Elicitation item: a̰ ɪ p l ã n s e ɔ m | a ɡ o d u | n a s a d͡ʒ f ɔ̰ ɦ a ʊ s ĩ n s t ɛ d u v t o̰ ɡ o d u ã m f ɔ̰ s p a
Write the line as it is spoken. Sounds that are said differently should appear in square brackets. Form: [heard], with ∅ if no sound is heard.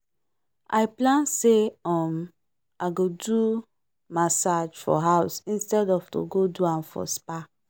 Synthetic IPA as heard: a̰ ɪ p l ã n s e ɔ m | a ɡ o d u | [m] a s a d͡ʒ f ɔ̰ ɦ a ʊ s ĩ n s t ɛ d [ɔ] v t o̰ ɡ o d u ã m f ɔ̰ s p a